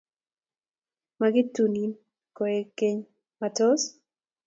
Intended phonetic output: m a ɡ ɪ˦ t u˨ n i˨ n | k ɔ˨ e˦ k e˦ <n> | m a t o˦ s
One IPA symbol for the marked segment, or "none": ɲ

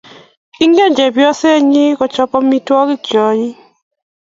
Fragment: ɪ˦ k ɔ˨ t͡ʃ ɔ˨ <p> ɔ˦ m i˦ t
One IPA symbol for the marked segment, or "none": p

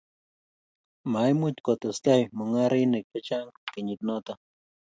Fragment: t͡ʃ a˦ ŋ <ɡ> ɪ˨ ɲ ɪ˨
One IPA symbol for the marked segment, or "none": k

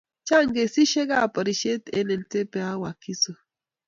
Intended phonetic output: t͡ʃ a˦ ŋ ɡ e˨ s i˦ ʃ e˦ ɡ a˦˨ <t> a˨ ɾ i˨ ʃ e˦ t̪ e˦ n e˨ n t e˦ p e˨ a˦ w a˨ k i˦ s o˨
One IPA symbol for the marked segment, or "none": p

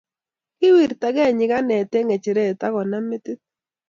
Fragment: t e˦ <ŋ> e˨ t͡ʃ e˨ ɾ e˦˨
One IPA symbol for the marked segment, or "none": ŋ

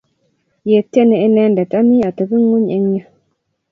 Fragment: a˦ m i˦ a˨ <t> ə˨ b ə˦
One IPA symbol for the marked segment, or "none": t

